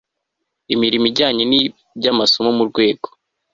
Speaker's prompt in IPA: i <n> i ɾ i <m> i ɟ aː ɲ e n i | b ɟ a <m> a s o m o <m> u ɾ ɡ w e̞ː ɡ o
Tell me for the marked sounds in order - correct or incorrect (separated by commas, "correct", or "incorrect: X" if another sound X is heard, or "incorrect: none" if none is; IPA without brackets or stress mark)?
incorrect: m, correct, correct, correct